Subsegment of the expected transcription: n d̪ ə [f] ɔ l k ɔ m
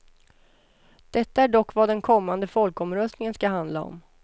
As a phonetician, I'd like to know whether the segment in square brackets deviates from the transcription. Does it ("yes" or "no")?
no